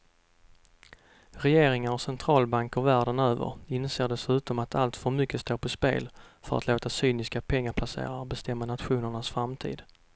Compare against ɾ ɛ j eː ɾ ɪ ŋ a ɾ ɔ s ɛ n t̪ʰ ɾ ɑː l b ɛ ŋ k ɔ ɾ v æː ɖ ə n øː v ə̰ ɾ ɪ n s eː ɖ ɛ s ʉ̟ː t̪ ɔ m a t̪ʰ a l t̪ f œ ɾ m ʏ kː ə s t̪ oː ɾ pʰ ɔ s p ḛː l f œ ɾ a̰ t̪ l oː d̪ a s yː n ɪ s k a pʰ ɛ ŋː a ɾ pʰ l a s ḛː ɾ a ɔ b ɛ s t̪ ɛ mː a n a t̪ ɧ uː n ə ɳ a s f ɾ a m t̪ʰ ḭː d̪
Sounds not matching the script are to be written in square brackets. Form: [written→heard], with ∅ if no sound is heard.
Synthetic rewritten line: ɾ ɛ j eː ɾ ɪ ŋ a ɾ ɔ s ɛ n t̪ʰ ɾ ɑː l b [ɛ→a] ŋ k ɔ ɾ v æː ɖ ə n øː v ə̰ ɾ ɪ n s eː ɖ ɛ s ʉ̟ː t̪ ɔ m a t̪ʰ a l t̪ f œ ɾ m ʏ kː ə s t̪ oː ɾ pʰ ɔ s p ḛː l f œ ɾ a̰ t̪ l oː [d̪→t̪] a s yː n ɪ s k a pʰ ɛ ŋː a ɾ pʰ l a s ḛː ɾ a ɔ b ɛ s t̪ ɛ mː a n a t̪ ɧ uː n ə ɳ a s f ɾ a m t̪ʰ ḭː d̪

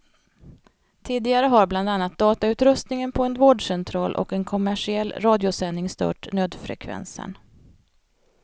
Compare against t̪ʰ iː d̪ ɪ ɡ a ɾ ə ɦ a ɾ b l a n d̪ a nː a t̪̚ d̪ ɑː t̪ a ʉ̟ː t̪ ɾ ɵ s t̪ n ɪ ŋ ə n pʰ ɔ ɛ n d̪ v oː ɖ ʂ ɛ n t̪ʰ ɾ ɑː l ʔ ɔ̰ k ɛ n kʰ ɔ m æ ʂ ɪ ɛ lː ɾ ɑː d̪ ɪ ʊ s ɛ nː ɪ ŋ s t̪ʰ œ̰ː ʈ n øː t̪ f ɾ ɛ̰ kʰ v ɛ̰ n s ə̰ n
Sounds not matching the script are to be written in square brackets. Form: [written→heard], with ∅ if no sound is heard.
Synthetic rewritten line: t̪ʰ iː d̪ ɪ ɡ a ɾ ə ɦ a ɾ b l a n d̪ a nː a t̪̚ d̪ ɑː t̪ a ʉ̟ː t̪ ɾ ɵ s t̪ n ɪ ŋ ə n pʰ ɔ ɛ n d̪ v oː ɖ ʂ ɛ n t̪ʰ ɾ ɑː l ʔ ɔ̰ k ɛ n kʰ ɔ m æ ʂ ɪ ɛ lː ɾ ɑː d̪ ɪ ʊ s ɛ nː ɪ ŋ s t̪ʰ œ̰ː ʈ n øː [t̪→d̪] f ɾ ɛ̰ kʰ v ɛ̰ n s ə̰ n

